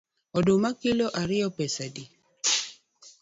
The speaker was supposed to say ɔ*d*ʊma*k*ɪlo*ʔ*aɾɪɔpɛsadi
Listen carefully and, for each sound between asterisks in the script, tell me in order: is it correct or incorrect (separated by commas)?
correct, correct, correct